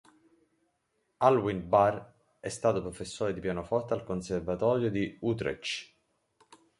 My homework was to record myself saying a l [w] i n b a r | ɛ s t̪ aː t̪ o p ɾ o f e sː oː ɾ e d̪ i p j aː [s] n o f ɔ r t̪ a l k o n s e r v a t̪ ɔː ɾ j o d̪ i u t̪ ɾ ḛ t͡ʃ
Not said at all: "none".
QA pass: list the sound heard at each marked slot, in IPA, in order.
w, none

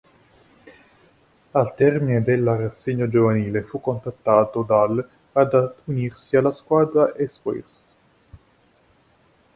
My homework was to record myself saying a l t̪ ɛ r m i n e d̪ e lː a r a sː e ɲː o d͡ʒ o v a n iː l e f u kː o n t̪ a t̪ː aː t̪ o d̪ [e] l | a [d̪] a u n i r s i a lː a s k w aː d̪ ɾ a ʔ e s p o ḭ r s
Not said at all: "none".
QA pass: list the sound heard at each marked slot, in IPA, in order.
a, d̪

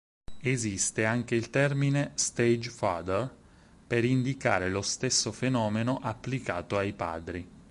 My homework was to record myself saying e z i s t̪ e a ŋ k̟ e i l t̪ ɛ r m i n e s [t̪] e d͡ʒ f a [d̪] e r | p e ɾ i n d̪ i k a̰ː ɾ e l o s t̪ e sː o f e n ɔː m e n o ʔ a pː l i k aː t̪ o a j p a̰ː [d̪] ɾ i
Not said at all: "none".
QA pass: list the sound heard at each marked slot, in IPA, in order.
t̪, d̪, d̪

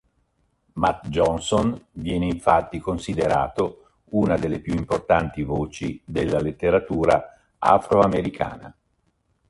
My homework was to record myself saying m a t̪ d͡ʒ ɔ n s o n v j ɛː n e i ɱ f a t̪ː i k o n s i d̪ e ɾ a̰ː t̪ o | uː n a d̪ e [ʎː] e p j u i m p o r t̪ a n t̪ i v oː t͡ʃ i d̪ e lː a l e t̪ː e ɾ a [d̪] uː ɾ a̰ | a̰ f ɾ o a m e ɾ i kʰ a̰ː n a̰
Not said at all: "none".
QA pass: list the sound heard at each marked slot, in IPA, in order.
lː, t̪

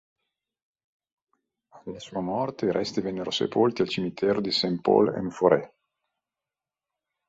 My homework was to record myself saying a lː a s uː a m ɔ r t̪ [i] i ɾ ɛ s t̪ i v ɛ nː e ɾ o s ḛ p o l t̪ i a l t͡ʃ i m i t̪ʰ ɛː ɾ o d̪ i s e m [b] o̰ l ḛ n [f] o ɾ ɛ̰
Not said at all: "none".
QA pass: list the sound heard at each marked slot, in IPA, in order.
e, p, f

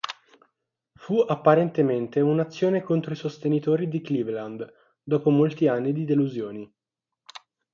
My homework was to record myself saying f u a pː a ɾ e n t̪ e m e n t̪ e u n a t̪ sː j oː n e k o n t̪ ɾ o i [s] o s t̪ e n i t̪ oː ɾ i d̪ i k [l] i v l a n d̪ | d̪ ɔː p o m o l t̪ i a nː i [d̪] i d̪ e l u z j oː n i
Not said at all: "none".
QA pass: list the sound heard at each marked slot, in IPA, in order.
s, l, d̪

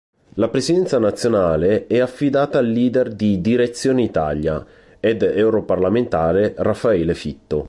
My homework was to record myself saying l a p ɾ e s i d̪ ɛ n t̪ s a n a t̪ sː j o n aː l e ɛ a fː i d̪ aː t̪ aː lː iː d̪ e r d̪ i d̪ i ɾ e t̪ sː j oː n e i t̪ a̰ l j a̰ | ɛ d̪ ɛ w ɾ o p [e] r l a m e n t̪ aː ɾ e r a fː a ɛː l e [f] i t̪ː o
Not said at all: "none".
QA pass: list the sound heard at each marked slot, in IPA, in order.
a, f

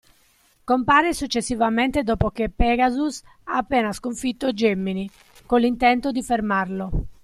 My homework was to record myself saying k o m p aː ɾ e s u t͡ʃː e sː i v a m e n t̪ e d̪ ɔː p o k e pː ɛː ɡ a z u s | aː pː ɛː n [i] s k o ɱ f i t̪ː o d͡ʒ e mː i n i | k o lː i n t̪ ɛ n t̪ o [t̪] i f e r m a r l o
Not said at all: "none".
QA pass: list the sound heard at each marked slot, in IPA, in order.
a, d̪

